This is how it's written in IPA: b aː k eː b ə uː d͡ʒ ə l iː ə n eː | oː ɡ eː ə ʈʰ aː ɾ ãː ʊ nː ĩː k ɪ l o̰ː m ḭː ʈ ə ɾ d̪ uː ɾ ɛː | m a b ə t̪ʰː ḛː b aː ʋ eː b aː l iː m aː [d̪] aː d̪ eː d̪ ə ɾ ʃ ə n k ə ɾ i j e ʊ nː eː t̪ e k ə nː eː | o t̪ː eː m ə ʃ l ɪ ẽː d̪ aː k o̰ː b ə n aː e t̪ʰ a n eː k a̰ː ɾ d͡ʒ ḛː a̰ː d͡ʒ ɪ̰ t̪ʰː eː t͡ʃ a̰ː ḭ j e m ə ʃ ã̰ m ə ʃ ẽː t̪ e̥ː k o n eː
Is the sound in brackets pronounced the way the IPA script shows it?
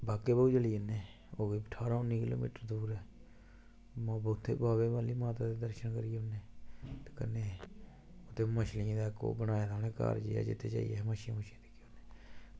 no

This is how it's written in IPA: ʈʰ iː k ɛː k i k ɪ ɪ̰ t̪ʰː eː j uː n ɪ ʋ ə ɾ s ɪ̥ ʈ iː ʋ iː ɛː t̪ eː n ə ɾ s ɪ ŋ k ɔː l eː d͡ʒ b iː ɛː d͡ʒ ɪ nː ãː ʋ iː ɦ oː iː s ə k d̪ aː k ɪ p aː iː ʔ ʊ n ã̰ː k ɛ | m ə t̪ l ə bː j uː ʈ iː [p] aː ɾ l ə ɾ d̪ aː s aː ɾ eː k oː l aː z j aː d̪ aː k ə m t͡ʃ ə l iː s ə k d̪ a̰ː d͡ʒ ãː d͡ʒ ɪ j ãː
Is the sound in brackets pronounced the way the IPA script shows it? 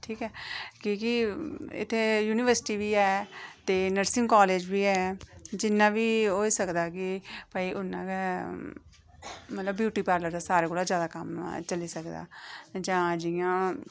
yes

